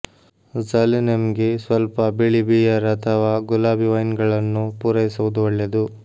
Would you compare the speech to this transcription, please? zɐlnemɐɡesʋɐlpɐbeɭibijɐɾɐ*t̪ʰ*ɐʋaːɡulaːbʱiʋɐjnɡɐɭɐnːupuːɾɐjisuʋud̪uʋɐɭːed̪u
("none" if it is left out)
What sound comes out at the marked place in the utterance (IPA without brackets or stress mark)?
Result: t̪ʰ